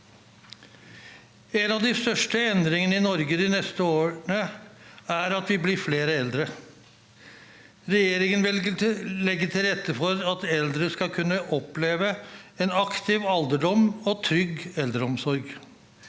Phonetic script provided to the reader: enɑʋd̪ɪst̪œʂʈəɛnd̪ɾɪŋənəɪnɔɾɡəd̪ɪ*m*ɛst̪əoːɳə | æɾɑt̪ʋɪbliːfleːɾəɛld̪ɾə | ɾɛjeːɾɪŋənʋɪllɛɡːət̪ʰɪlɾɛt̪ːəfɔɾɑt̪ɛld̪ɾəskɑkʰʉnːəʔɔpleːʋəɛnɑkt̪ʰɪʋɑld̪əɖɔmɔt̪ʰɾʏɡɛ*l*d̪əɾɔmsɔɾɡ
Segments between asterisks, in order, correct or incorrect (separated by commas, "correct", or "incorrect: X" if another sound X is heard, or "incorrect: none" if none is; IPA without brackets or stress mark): incorrect: n, correct